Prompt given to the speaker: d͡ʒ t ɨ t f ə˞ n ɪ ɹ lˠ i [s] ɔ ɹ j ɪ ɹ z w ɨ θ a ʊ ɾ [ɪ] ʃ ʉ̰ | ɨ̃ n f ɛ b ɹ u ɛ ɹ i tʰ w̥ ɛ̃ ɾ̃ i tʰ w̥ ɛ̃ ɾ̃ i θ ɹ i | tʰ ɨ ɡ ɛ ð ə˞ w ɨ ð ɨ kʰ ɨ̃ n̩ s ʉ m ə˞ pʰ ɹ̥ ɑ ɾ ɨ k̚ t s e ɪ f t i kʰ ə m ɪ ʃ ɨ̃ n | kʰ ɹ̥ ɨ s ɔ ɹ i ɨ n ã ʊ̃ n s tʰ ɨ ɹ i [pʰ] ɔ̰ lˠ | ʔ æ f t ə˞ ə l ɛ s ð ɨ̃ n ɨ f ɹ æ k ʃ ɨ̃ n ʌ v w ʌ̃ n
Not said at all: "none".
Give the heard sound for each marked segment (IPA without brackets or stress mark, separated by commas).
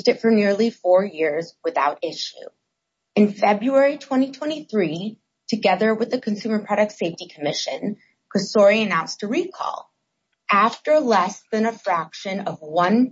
f, ɪ, kʰ